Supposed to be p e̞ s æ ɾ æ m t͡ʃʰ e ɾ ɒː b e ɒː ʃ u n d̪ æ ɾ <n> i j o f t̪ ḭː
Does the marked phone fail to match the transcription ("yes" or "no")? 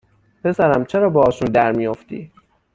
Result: yes